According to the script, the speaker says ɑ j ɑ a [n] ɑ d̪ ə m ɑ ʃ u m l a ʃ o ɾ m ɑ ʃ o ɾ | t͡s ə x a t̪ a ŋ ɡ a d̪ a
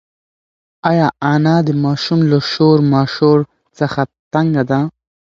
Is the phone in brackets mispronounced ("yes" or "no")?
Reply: no